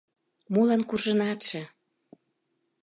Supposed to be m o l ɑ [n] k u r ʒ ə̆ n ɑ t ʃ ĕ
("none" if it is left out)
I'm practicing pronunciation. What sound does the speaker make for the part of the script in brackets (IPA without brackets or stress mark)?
n